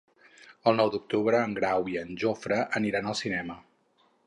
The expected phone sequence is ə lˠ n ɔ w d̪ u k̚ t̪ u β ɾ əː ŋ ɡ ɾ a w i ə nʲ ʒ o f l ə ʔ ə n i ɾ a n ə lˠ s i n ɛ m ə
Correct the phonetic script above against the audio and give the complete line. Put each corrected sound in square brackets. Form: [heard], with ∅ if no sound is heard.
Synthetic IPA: ə lˠ n ɔ w d̪ u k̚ t̪ u β ɾ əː ŋ ɡ ɾ a w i ə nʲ ʒ o f [ɾ] ə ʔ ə n i ɾ a n ə lˠ s i n ɛ m ə